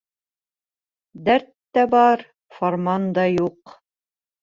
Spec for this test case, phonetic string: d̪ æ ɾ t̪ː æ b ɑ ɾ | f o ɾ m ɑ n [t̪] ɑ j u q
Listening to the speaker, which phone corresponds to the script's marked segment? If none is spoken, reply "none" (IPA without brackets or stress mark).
d̪